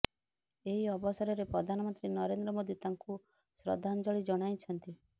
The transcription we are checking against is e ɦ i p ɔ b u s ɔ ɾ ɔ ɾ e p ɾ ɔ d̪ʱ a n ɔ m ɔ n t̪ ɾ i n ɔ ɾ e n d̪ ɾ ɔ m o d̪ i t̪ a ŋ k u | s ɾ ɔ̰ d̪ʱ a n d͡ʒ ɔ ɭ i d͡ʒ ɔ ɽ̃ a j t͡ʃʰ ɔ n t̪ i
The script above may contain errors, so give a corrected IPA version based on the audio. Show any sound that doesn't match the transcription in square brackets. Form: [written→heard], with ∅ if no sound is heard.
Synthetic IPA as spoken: e ɦ i [p→∅] ɔ b [u→ɔ] s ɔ ɾ ɔ ɾ e p ɾ ɔ d̪ʱ a n ɔ m ɔ n t̪ ɾ i n ɔ ɾ e n d̪ ɾ ɔ m o d̪ i t̪ a ŋ k u | s ɾ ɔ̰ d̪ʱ a n d͡ʒ ɔ ɭ i d͡ʒ ɔ ɽ̃ a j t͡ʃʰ ɔ n t̪ i